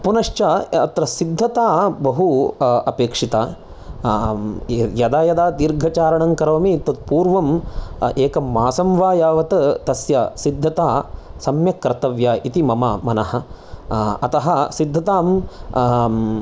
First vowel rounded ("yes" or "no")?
yes